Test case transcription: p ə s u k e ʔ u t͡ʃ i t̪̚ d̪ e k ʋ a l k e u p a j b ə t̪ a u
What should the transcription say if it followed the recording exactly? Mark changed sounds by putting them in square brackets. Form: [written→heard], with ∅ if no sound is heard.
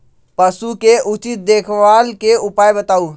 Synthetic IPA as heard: p ə s u k e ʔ u t͡ʃ i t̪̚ d̪ e [k→kʰ] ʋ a l k e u p a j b ə t̪ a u